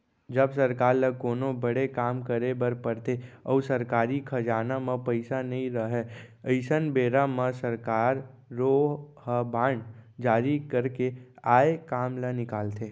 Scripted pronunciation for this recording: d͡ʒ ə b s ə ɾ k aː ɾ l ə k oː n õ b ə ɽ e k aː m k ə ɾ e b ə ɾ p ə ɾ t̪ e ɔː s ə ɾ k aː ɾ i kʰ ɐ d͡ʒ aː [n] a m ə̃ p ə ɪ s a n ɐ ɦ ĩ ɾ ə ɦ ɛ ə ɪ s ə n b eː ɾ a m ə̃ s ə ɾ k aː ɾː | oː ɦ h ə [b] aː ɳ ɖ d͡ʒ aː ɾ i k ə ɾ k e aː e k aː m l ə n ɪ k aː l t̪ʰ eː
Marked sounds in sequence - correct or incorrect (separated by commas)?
correct, correct